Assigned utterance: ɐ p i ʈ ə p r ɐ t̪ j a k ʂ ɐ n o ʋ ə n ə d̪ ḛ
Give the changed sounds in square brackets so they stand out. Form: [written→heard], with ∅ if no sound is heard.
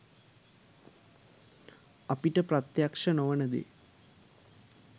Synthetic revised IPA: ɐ p i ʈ ə p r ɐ t̪ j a k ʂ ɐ n o ʋ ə n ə d̪ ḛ